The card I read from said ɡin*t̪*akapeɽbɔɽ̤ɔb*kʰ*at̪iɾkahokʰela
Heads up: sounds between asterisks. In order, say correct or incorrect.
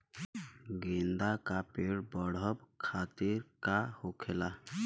incorrect: d̪, correct

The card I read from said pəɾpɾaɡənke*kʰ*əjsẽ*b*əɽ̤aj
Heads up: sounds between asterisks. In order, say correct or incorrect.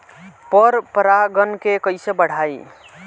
incorrect: k, correct

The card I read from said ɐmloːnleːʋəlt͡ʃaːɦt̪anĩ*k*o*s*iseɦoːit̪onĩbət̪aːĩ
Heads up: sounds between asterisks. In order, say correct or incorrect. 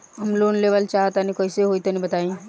correct, incorrect: none

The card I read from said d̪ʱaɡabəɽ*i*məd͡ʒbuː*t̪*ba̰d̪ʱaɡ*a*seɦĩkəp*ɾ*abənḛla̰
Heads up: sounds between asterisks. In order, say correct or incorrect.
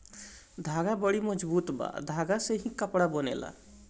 correct, correct, correct, incorrect: ɽ

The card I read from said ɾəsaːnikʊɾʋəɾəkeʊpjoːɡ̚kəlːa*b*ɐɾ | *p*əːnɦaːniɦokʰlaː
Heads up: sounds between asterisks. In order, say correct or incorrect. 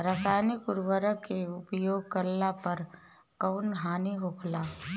incorrect: p, incorrect: k

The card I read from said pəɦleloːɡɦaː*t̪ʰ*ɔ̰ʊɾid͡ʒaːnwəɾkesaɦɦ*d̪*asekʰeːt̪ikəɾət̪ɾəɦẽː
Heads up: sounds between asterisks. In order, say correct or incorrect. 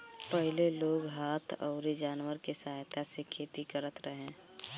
correct, incorrect: t̪

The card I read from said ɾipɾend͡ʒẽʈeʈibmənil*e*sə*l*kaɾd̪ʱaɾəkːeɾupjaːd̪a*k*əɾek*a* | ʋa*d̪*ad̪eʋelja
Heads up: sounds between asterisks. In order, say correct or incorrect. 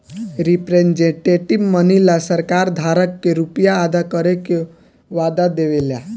incorrect: a, incorrect: ɾ, correct, incorrect: e, correct

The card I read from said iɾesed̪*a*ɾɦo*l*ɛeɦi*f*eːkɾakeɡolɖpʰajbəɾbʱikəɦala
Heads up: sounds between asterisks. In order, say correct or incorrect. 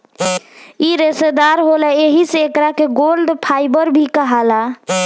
correct, correct, incorrect: s

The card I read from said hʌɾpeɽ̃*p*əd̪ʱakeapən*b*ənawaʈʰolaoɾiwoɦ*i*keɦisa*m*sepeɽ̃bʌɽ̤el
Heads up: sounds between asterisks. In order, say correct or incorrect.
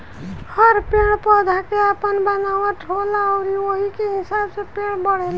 correct, correct, correct, incorrect: b

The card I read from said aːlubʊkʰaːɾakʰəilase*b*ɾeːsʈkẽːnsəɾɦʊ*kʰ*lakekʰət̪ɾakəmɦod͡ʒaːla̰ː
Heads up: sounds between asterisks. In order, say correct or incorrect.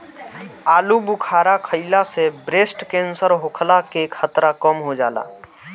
correct, correct

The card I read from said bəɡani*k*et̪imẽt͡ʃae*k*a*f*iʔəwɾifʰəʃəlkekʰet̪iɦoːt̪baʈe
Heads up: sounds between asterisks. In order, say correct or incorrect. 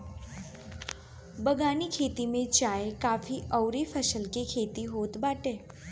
incorrect: kʰ, correct, correct

